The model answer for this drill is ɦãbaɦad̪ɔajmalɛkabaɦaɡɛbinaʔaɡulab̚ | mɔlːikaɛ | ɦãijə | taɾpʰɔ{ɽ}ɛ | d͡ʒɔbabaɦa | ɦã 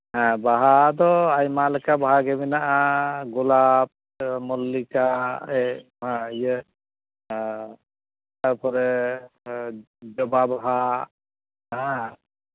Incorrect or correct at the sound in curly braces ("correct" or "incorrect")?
incorrect